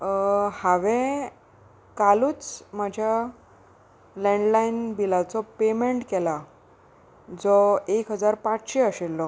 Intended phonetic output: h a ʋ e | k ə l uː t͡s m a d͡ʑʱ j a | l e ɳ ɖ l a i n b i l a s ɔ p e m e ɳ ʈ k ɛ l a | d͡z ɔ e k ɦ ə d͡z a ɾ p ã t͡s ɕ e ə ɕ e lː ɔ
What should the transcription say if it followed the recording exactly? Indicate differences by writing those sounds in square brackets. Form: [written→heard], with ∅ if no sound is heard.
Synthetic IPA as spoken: h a ʋ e | k [ə→a] l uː t͡s m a d͡ʑʱ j a | l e ɳ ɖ l a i n b i l a [s→t͡s] ɔ p e m e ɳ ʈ k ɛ l a | d͡z ɔ e k ɦ ə d͡z a ɾ p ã t͡s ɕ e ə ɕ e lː ɔ